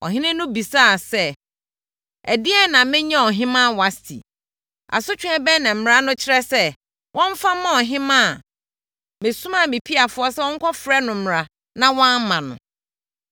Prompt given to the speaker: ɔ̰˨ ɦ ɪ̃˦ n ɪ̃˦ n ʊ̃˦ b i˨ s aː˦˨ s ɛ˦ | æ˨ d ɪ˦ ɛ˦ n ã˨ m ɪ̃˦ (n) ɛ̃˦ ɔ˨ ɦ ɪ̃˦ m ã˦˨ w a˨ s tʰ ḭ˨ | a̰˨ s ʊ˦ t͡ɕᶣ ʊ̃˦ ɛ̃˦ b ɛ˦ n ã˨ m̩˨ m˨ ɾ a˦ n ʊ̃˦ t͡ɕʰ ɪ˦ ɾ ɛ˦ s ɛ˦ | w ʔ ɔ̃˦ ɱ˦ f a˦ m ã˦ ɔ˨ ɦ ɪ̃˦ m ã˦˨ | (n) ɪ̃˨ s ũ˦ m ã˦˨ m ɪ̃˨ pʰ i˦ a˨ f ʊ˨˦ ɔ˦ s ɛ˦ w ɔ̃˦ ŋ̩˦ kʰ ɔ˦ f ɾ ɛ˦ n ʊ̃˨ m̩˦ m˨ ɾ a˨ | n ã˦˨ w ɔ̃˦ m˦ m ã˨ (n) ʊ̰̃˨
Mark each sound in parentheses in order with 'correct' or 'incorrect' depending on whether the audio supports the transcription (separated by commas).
incorrect, incorrect, correct